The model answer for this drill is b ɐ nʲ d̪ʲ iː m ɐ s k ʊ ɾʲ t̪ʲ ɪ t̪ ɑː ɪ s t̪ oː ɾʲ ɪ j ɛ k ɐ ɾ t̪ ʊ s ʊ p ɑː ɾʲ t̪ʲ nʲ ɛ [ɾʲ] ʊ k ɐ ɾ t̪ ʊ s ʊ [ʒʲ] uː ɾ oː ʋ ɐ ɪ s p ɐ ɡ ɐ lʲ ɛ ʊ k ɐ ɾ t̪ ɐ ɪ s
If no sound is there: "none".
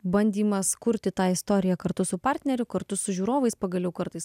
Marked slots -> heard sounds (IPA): ɾʲ, ʒʲ

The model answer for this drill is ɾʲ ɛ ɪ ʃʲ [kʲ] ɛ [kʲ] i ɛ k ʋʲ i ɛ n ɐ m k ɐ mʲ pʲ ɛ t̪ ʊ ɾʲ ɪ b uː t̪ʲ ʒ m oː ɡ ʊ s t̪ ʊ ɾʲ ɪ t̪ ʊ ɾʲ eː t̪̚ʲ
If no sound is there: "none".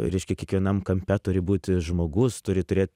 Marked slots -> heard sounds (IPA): kʲ, kʲ

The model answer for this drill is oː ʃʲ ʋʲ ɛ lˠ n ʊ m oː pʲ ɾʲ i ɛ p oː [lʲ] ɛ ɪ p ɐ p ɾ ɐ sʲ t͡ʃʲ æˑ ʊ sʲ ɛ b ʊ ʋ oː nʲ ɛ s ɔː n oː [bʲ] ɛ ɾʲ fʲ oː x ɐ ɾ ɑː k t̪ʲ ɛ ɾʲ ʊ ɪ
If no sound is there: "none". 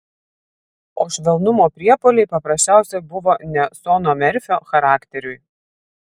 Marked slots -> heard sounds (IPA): lʲ, mʲ

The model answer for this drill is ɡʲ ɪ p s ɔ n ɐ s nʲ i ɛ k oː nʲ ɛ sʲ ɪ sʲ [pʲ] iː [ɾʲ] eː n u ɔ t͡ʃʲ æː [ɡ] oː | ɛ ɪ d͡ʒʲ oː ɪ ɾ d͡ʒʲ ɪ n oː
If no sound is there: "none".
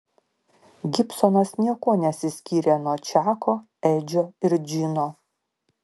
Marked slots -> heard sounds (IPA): kʲ, ɾʲ, k

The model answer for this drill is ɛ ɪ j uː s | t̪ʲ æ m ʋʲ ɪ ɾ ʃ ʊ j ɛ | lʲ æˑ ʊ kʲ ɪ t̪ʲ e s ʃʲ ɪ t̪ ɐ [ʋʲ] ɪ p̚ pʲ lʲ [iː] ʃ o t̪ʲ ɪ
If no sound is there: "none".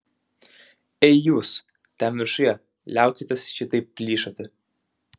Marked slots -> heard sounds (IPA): none, iː

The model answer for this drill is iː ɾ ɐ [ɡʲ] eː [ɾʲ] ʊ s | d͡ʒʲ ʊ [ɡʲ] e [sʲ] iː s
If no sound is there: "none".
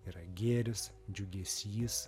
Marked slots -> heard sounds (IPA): ɡʲ, ɾʲ, ɡʲ, sʲ

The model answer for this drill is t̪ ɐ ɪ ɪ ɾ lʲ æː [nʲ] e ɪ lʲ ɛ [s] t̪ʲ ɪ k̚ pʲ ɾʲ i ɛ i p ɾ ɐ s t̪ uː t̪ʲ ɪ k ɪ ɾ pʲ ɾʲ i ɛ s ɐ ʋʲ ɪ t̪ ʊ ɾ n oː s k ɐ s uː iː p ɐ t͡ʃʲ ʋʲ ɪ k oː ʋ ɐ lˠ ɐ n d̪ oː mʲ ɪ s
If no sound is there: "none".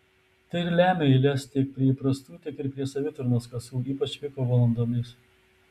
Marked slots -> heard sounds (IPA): mʲ, s

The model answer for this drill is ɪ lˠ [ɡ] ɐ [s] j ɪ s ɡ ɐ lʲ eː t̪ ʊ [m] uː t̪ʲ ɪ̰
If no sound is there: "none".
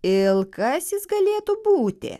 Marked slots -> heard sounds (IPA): k, s, b

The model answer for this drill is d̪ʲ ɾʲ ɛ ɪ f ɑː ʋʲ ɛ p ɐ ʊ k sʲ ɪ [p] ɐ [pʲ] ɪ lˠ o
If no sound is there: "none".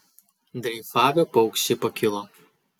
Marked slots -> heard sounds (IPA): p, kʲ

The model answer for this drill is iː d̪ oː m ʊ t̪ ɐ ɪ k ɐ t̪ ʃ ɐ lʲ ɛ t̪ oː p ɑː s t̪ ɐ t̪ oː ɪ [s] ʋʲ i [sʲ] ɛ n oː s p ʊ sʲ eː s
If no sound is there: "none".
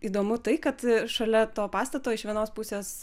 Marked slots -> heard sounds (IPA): ʃ, none

